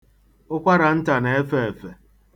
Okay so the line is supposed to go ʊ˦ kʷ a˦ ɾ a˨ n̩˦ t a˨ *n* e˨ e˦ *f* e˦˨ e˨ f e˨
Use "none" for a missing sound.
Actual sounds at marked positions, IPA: n, f

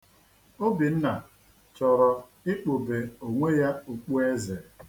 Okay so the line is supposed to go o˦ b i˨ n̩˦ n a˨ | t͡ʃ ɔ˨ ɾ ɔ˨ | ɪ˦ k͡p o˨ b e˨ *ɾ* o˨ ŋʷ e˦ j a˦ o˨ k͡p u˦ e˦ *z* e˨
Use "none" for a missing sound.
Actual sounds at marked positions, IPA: none, z

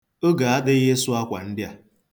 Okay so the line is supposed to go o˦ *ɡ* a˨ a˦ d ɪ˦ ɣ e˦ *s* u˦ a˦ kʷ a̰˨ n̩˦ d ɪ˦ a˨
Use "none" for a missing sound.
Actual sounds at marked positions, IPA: ɡ, s

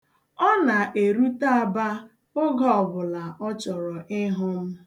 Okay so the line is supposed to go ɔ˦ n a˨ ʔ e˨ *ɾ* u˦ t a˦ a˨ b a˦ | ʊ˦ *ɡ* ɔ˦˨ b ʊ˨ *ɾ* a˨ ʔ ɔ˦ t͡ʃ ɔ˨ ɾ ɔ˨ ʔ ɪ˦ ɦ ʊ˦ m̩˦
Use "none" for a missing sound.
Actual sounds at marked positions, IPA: ɾ, ɡ, l

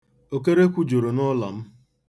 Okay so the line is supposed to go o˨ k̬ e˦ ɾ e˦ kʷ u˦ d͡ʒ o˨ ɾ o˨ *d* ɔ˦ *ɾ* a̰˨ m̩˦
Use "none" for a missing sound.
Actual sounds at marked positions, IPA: n, l

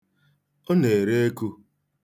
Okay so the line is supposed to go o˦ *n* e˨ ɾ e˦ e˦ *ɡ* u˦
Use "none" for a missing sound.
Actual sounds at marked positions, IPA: n, k

